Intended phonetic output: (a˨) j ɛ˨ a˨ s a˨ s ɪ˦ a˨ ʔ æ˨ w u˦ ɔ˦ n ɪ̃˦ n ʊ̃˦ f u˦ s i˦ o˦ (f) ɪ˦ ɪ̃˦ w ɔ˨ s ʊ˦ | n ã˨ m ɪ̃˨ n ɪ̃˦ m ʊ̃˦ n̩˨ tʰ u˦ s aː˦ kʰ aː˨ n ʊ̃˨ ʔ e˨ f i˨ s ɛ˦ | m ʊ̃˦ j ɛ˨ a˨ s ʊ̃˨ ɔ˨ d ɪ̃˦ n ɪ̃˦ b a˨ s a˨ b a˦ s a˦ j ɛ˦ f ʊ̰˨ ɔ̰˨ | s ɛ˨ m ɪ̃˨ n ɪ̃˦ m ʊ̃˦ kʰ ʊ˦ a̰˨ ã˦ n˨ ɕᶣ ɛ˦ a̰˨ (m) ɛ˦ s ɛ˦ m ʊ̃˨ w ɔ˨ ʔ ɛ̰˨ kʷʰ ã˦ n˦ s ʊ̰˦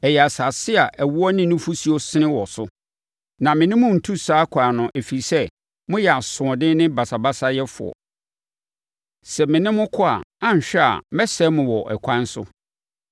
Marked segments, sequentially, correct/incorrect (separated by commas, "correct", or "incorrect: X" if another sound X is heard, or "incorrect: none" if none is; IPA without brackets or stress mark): incorrect: ɛ˨, incorrect: s, correct